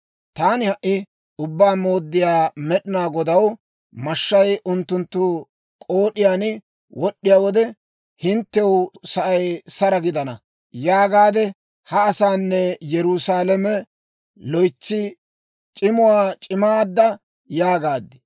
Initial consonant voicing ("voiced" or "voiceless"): voiceless